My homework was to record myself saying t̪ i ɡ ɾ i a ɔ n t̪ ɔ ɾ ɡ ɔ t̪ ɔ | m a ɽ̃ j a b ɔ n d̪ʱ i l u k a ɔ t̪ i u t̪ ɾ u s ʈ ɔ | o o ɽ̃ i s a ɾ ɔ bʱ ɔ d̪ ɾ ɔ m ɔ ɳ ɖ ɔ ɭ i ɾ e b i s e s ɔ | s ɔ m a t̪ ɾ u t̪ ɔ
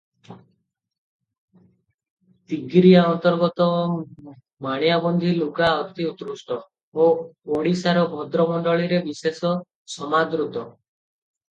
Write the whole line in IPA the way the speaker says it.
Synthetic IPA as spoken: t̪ i ɡ ɾ i a ɔ n t̪ ɔ ɾ ɡ ɔ t̪ ɔ | m a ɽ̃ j a b ɔ n d̪ʱ i l u k a ɔ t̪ i u t̪ ɾ u s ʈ ɔ | o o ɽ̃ i s a ɾ ɔ bʱ ɔ d̪ ɾ ɔ m ɔ ɳ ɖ ɔ ɭ i ɾ e b i s e s ɔ | s ɔ m a d̪ ɾ u t̪ ɔ